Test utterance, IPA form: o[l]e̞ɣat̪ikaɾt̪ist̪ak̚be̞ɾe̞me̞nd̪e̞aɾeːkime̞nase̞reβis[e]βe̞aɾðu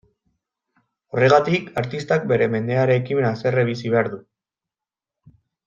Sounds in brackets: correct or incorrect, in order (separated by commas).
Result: incorrect, incorrect